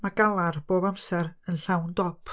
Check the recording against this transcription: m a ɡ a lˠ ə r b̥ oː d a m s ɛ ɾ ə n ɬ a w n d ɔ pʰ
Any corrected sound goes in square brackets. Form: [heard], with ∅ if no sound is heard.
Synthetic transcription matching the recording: m a ɡ a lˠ [a] r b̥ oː [b] a m s ɛ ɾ ə n ɬ a w n d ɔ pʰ